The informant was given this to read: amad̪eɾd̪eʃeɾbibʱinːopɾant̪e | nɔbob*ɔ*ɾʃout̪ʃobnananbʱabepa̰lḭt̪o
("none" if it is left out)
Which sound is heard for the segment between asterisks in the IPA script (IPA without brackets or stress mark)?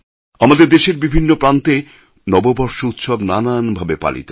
ɔ